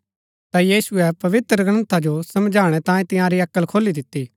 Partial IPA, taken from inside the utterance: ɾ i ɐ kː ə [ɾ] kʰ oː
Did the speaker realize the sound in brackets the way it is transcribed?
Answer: no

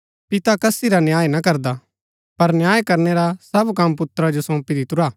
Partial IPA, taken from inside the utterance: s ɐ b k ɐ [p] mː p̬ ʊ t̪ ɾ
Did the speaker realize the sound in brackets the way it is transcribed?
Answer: no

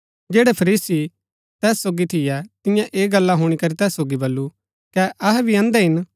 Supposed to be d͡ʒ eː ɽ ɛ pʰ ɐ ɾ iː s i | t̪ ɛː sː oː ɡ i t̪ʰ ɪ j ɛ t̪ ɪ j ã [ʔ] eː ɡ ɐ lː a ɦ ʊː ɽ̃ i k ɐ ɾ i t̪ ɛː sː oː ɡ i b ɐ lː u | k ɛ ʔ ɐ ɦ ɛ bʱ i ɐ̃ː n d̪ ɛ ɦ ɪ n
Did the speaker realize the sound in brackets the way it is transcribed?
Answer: yes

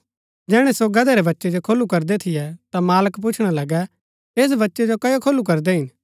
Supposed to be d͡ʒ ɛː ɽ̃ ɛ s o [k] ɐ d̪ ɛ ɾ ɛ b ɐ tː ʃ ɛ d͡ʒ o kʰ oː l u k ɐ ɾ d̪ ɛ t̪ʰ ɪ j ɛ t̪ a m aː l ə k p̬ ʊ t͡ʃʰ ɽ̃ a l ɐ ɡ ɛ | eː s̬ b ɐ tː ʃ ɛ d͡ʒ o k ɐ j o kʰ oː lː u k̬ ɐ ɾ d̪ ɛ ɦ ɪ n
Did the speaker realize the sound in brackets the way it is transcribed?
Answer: no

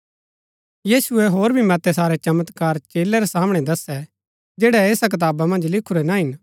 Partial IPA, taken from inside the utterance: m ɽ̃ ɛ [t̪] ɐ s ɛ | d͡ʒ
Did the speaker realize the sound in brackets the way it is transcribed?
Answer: no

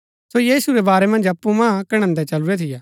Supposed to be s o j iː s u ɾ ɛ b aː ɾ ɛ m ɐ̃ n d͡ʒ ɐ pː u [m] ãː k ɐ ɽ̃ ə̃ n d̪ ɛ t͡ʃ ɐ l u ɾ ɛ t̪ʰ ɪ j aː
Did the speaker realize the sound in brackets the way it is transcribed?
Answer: yes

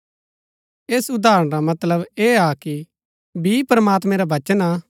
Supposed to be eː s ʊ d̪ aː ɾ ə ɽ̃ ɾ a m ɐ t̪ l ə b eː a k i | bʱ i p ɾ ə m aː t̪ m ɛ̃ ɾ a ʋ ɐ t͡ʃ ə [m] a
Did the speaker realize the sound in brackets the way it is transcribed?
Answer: no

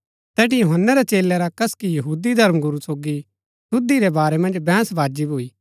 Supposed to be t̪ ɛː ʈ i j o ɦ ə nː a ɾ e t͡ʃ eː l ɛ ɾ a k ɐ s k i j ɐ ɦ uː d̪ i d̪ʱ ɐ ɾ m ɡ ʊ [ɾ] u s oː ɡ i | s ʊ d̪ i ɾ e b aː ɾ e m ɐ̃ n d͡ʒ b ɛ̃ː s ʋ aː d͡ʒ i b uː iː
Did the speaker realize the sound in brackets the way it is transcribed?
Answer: yes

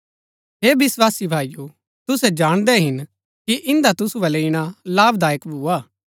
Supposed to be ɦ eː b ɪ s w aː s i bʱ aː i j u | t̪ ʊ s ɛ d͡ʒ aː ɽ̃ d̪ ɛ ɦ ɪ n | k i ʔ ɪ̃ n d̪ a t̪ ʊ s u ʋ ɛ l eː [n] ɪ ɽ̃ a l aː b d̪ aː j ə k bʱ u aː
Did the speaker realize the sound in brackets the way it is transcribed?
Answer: no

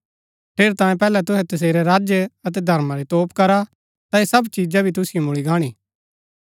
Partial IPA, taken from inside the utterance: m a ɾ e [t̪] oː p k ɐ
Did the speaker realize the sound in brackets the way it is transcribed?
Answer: yes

